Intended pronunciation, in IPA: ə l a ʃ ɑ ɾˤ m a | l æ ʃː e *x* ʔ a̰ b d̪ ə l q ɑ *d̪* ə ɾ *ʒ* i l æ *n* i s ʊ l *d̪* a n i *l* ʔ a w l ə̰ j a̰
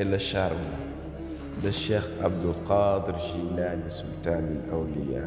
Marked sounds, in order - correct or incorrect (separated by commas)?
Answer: correct, correct, correct, correct, incorrect, correct